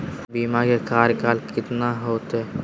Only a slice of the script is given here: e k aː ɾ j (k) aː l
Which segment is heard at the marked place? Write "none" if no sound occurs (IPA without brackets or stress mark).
k